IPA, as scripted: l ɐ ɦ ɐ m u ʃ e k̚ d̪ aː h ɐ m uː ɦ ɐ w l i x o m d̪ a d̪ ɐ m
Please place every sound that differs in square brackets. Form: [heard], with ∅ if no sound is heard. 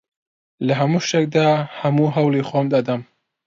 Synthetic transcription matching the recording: l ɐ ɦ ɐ m u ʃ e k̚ d̪ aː h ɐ m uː ɦ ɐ w l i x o m d̪ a d̪ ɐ m

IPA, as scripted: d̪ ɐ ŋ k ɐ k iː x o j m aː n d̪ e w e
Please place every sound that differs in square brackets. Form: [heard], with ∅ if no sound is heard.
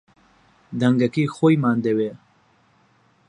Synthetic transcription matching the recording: d̪ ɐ ŋ [ɡ] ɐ k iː x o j m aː n d̪ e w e

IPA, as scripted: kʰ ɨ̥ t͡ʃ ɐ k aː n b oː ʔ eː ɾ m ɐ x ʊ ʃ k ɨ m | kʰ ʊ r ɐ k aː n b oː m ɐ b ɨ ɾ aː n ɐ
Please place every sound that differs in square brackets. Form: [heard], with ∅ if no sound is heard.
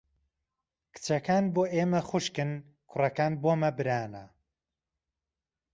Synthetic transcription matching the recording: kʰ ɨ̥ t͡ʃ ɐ k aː n b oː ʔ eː [∅] m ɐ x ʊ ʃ k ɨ [n] | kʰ ʊ r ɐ k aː n b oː m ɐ b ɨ ɾ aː n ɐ

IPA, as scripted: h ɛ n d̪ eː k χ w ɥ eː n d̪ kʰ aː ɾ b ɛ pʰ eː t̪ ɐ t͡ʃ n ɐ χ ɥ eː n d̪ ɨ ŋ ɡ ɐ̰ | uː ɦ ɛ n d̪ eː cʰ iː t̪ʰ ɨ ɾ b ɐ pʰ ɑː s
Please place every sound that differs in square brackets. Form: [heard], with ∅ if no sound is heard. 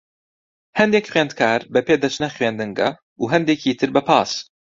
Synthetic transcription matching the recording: h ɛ n d̪ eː k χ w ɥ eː n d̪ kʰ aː ɾ b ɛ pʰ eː [d̪] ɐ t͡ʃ n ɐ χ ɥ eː n d̪ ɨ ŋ ɡ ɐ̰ | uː ɦ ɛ n d̪ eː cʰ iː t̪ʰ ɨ ɾ b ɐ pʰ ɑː s

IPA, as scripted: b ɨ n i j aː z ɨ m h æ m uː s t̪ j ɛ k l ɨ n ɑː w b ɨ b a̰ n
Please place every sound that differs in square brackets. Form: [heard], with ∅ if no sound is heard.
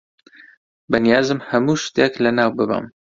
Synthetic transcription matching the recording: b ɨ n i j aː z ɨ m h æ m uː [ʃ] t̪ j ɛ k l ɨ n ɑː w b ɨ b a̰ [m]

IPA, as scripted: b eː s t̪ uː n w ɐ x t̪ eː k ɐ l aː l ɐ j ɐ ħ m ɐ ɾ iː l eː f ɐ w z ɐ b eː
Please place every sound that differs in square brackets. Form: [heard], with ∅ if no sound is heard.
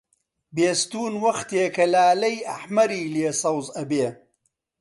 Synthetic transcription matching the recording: b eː s t̪ uː n w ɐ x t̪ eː k ɐ l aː l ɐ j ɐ ħ m ɐ ɾ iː l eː [s] ɐ w z ɐ b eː

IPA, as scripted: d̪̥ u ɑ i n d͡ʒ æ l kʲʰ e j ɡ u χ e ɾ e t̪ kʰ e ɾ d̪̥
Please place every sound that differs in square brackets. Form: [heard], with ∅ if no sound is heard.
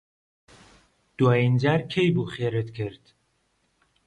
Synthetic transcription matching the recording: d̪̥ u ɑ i n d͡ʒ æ [ɾ] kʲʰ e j [b] u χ e ɾ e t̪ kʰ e ɾ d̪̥

